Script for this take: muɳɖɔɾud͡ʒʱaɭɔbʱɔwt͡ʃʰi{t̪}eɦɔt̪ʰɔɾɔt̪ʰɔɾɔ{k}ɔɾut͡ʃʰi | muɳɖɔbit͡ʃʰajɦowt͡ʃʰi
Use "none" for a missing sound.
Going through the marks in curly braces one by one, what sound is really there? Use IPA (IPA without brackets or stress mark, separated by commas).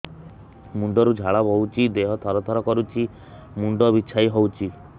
d̪, k